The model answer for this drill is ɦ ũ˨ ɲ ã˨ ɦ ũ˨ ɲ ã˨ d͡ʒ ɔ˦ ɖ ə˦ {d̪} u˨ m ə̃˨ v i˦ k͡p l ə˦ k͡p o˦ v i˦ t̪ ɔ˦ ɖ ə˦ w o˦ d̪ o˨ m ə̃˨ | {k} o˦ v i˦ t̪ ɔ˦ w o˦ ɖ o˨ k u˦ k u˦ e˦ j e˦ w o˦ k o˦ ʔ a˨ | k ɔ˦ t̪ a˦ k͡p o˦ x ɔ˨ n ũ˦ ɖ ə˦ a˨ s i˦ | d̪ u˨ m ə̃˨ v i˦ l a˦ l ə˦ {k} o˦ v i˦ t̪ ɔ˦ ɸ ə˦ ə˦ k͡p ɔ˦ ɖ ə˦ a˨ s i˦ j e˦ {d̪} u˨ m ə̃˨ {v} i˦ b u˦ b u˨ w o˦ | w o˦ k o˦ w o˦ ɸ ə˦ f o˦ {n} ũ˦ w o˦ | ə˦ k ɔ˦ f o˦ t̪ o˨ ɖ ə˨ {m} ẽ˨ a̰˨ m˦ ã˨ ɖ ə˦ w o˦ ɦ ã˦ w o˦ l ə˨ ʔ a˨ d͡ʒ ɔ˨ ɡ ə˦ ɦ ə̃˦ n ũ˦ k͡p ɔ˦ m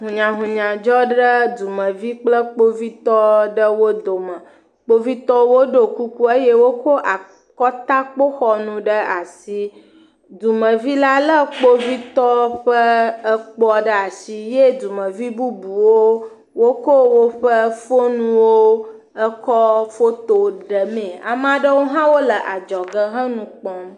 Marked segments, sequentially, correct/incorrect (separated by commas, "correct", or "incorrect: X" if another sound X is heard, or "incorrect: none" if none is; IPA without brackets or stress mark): correct, incorrect: k͡p, incorrect: k͡p, correct, correct, correct, correct